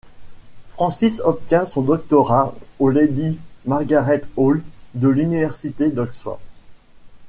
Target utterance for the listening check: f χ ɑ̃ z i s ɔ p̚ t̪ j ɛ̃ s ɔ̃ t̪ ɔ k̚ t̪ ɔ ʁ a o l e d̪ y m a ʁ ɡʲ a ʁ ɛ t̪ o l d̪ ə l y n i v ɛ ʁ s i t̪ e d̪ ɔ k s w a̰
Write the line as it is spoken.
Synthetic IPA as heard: f χ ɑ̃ s i s ɔ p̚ t̪ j ɛ̃ s ɔ̃ d̪ ɔ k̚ t̪ ɔ ʁ a o l e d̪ i m a ʁ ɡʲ a ʁ ɛ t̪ o l d̪ ə l y n i v ɛ ʁ s i t̪ e d̪ ɔ k s w a̰

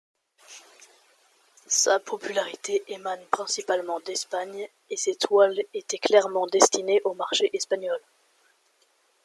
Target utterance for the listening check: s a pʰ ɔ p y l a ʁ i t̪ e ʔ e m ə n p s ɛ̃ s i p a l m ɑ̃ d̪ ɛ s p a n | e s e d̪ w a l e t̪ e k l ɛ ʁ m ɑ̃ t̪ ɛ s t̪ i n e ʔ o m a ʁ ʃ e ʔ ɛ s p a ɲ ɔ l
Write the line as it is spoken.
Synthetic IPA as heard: s a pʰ ɔ p y l a ʁ i t̪ e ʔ e m a n p χ ɛ̃ s i p a l m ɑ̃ d̪ ɛ s p a ɲ | e s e t̪ w a l e t̪ ɛ k l ɛ ʁ m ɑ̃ d̪ ɛ s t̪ i n e ʔ o m a ʁ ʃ e ʔ ɛ s p a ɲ ɔ l

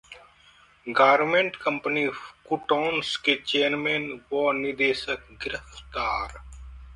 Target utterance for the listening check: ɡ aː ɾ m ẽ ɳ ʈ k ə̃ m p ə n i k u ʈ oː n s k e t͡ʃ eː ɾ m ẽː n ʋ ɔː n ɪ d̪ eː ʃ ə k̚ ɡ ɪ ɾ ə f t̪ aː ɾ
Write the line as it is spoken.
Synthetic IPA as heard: ɡ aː ɾ m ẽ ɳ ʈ k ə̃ m p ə n i k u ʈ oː n s k e t͡ʃ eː ɾ m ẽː n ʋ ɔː n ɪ d̪ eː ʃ ə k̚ ɡ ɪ ɾ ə f t̪ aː ɾ

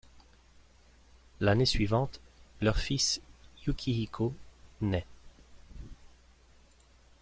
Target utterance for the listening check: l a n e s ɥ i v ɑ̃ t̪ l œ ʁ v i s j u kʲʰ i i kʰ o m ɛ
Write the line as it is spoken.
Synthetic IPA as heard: l a n e s ɥ i v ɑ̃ t̪ l œ ʁ f i s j u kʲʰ i i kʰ o n ɛ

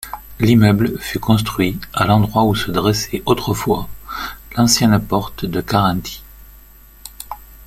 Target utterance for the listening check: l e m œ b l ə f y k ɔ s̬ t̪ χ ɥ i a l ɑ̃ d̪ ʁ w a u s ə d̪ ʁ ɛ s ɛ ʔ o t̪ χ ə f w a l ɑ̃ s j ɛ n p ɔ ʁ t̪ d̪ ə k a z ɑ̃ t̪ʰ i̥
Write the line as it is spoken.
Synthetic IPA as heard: l i m œ b l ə f y k ɔ̃ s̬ t̪ χ ɥ i a l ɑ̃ d̪ ʁ w a u s ə d̪ ʁ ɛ s ɛ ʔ o t̪ χ ə f w a l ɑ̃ s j ɛ n p ɔ ʁ t̪ d̪ ə k a ʁ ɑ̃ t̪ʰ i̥

